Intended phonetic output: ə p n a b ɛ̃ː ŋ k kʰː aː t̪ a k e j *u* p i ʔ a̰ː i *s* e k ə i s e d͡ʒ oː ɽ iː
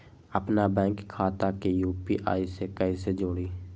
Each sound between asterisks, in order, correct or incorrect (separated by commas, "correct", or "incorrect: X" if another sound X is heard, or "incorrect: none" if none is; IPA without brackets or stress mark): incorrect: uː, correct